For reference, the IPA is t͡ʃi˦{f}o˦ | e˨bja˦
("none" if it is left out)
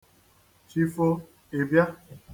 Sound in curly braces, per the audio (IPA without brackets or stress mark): f